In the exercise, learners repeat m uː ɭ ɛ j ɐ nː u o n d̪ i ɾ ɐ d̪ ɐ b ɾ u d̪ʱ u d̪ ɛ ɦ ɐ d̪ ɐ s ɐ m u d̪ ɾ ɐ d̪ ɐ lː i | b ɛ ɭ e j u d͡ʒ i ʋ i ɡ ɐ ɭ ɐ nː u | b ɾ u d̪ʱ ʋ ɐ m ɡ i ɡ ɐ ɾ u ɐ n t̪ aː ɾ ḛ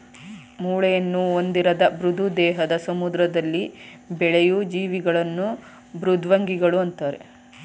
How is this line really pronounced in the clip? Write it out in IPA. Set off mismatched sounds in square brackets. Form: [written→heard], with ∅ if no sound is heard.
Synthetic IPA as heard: m uː ɭ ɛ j ɐ nː u o n d̪ i ɾ ɐ d̪ ɐ b ɾ u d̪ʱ u d̪ [ɛ→ɛː] ɦ ɐ d̪ ɐ s ɐ m u d̪ ɾ ɐ d̪ ɐ lː i | b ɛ ɭ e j u d͡ʒ [i→iː] ʋ i ɡ ɐ ɭ ɐ nː u | b ɾ u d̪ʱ ʋ ɐ [m→ŋ] ɡ i ɡ ɐ [ɾ→ɭ] u ɐ n t̪ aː ɾ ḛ